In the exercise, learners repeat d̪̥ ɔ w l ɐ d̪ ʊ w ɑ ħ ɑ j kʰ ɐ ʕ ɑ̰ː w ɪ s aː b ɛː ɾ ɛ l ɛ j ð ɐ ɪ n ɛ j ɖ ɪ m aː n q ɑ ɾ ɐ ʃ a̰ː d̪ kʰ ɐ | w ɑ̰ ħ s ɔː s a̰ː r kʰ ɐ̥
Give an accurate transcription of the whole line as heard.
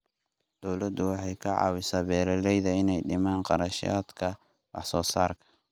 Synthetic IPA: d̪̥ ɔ w l ɐ d̪ ʊ w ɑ ħ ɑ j kʰ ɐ ʕ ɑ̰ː w ɪ s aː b ɛː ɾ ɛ l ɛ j ð ɐ ɪ n ɛ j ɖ ɪ m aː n q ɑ ɾ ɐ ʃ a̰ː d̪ kʰ ɐ | w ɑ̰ ħ s ɔː s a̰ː r kʰ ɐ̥

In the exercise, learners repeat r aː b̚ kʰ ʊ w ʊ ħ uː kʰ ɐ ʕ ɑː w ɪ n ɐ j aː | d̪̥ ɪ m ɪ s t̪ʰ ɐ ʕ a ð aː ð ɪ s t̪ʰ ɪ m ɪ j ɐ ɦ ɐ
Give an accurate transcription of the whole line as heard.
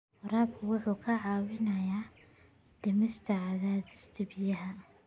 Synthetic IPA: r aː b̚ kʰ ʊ w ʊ ħ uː kʰ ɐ ʕ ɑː w ɪ n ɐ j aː | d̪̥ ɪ m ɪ s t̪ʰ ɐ ʕ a ð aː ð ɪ s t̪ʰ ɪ b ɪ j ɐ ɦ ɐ

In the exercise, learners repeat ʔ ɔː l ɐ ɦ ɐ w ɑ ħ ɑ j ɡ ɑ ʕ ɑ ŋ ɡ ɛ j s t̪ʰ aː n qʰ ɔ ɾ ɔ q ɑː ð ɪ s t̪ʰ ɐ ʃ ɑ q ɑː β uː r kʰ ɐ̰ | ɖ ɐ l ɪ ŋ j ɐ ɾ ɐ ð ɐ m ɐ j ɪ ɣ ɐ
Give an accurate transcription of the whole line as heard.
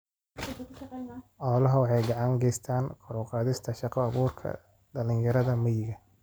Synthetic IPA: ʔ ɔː l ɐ ɦ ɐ w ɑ ħ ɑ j ɡ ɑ ʕ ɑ ŋ ɡ ɛ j s t̪ʰ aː n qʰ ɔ ɾ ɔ q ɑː ð ɪ s t̪ʰ ɐ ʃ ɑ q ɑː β uː r kʰ ɐ̰ | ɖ ɐ l ɪ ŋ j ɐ ɾ ɐ ð ɐ m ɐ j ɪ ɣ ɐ

